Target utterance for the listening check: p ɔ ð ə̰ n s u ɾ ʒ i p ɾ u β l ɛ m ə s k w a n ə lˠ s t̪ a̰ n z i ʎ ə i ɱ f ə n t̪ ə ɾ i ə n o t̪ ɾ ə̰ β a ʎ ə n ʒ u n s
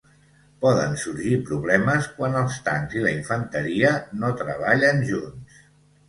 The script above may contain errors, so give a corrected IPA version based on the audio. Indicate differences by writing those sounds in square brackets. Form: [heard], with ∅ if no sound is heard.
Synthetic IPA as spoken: p ɔ ð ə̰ n s u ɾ ʒ i p ɾ u β l ɛ m ə s k w a n ə lˠ s t̪ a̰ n z i [l] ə i ɱ f ə n t̪ ə ɾ i ə n o t̪ ɾ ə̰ β a ʎ ə n ʒ u n s